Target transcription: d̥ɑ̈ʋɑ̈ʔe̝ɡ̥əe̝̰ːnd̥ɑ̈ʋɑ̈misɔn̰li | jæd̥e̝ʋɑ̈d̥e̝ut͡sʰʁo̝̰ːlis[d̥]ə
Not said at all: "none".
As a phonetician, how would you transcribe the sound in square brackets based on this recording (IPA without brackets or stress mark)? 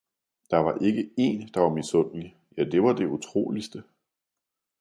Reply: d̥